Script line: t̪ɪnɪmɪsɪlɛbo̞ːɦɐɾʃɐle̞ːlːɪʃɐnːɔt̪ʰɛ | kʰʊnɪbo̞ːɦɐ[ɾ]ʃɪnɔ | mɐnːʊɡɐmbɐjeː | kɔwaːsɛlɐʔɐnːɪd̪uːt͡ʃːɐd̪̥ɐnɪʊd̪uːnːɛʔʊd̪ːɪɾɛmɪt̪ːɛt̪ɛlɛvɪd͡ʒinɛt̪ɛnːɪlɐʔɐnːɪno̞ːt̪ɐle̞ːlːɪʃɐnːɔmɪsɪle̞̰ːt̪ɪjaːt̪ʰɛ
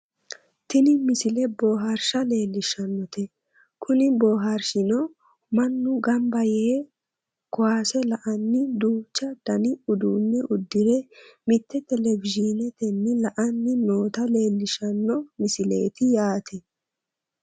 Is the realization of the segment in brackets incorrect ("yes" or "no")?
no